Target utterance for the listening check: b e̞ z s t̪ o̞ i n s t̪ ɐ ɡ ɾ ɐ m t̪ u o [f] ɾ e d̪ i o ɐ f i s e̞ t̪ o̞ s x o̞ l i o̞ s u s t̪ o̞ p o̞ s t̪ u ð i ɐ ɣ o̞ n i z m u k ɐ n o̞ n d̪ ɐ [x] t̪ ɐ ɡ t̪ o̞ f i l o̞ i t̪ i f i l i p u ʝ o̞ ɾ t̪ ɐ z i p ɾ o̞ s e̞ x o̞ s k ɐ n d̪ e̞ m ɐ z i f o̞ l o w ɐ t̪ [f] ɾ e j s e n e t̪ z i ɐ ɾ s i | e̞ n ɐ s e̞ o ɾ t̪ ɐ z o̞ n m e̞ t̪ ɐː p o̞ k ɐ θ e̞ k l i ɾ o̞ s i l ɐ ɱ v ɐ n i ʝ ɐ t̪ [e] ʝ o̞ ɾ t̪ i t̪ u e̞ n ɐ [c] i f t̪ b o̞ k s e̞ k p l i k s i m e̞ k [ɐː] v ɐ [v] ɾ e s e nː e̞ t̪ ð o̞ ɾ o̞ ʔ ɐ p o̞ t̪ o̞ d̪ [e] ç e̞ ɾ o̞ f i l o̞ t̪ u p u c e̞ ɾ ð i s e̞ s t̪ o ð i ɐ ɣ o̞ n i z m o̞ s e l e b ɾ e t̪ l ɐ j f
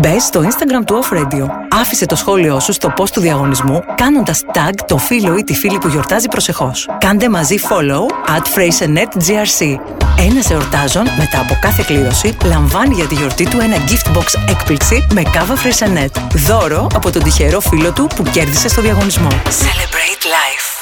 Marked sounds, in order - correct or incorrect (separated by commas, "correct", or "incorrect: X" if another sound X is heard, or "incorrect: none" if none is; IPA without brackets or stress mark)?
correct, incorrect: s, correct, incorrect: i, incorrect: ɟ, incorrect: ɐ, incorrect: f, incorrect: i